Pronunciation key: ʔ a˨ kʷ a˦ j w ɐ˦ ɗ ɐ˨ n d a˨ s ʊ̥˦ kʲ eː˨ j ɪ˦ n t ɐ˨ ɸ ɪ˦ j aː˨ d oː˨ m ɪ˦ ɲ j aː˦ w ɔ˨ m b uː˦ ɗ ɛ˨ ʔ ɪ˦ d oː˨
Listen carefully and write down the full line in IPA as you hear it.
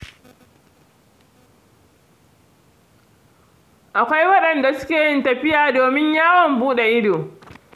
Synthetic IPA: ʔ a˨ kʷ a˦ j w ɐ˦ ɗ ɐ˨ n d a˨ s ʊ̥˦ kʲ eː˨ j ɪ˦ n t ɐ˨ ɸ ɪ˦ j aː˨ d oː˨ m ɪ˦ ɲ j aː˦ w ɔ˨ m b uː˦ ɗ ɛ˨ ʔ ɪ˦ d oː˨